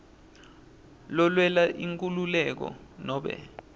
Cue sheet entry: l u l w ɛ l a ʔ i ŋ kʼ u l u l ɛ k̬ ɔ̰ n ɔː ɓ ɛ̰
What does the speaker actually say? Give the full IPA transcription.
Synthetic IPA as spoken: l ɔ l w ɛ l a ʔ i ŋ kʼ u l u l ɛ k̬ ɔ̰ n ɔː ɓ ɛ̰